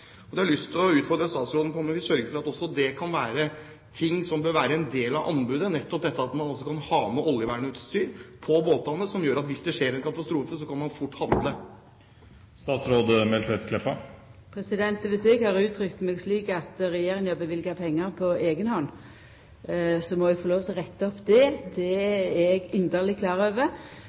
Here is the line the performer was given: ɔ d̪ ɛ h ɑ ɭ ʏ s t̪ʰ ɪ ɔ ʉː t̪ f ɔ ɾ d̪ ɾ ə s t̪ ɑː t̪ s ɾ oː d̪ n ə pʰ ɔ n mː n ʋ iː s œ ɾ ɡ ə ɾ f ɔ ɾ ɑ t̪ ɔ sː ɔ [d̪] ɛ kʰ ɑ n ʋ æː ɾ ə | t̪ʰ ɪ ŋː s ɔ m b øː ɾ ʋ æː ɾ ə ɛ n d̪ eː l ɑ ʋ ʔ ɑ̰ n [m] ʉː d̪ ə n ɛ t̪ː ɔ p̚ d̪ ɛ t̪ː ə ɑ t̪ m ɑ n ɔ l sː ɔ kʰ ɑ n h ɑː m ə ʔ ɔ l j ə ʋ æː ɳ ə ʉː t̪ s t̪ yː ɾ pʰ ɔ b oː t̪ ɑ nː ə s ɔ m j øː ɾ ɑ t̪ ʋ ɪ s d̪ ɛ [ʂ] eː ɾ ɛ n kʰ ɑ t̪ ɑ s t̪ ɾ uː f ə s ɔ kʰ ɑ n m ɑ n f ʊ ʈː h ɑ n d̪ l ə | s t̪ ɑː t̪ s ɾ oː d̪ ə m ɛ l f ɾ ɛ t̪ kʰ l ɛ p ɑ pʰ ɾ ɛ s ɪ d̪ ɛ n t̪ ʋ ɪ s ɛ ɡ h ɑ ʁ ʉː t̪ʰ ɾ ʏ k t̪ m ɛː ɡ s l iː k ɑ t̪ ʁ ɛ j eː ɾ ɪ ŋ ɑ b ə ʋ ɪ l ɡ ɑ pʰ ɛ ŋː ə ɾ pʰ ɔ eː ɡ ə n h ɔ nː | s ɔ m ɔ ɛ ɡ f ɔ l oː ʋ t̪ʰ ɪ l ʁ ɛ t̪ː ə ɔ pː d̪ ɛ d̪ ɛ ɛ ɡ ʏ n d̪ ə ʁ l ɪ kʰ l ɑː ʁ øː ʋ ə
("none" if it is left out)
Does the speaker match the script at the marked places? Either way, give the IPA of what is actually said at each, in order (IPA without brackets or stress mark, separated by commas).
d̪, b, ʂ